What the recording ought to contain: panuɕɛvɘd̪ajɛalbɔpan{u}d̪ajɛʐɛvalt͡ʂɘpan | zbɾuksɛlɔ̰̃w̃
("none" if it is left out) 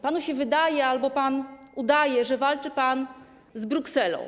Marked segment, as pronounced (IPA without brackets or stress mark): u